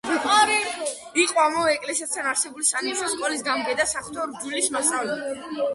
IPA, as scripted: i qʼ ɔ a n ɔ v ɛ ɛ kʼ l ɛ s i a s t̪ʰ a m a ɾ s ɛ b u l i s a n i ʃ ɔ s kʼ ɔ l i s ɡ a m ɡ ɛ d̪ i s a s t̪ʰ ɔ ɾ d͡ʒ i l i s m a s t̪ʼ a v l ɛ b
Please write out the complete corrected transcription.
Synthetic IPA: i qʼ ɔ a m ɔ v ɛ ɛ kʼ l ɛ s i a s t̪ʰ a n a ɾ s ɛ b u l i s a n i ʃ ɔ s kʼ ɔ l i s ɡ a m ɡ ɛ d̪ a s a χ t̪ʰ ɔ ɾ d͡ʒ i l i s m a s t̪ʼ a v l ɛ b